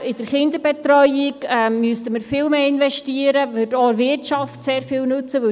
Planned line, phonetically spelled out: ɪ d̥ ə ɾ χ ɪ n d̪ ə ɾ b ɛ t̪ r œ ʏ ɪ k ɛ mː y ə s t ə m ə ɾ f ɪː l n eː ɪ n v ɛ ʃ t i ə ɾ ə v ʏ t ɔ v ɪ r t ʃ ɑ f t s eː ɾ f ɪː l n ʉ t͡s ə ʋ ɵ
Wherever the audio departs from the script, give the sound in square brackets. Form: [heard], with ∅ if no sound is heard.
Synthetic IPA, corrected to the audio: ɪ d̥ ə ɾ χ ɪ n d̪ ə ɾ b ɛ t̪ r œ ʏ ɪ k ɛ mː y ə s t ə m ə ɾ f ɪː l [m] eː ɪ n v ɛ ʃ t i ə ɾ ə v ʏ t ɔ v ɪ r t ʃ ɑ f t s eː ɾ f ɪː l n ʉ t͡s ə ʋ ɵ

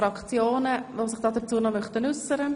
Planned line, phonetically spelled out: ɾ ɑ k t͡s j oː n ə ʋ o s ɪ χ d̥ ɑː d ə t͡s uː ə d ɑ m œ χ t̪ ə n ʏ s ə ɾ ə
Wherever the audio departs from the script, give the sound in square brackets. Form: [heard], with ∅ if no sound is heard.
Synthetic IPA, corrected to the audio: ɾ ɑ k t͡s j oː n ə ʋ o s ɪ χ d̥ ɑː d ə t͡s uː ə [n] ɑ m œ χ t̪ ə n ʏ s ə ɾ ə

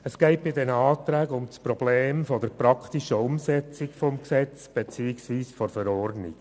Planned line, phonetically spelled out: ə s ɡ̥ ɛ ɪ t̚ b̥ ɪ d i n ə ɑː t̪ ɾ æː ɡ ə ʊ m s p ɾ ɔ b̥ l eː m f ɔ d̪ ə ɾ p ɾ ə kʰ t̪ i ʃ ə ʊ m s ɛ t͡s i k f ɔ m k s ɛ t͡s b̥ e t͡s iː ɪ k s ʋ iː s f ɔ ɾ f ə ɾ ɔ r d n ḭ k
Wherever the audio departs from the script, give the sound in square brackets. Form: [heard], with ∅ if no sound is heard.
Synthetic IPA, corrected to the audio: ə s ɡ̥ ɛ ɪ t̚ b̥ ɪ d [ɛ] n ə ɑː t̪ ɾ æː ɡ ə ʊ m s p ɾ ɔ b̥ l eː m f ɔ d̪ ə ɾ p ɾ [ɑ] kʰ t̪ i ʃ ə ʊ m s ɛ t͡s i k f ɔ m k s ɛ t͡s b̥ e t͡s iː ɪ k s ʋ iː s f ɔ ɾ f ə ɾ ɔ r d n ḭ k

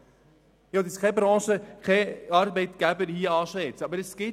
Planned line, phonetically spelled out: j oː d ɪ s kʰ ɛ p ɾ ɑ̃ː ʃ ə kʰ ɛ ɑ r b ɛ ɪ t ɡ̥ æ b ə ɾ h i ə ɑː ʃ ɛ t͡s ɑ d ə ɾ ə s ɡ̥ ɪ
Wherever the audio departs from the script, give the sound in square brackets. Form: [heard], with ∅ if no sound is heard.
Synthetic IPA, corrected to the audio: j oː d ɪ s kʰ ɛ [b] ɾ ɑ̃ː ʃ ə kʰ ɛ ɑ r b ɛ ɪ t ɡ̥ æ b ə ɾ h i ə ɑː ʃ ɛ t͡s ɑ [b] ə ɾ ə s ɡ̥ ɪ

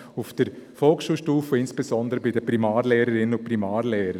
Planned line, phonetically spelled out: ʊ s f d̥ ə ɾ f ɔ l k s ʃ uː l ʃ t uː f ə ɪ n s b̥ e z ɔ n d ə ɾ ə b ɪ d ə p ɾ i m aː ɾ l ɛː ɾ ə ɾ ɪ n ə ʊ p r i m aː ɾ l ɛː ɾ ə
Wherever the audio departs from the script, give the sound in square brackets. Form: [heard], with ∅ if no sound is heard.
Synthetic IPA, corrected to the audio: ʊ [∅] f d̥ ə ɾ f ɔ l k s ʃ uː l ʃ t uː f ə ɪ n s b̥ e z ɔ n d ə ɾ ə b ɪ d ə p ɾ i m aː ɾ l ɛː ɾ ə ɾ ɪ n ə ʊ p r i m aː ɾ l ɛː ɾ ə

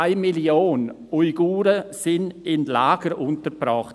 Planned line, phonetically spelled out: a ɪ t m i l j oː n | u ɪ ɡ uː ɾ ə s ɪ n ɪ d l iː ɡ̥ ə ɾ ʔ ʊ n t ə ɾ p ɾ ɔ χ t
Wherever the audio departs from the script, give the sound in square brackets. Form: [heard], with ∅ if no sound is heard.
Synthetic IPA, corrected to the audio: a ɪ [∅] m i l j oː n | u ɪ ɡ uː ɾ ə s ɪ n ɪ [n] l [aː] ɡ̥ ə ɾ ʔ ʊ n t ə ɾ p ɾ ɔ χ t

